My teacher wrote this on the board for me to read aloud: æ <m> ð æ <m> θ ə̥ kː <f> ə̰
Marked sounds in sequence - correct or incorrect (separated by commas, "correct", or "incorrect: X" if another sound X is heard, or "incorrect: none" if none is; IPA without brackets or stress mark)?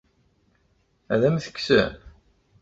incorrect: none, correct, incorrect: s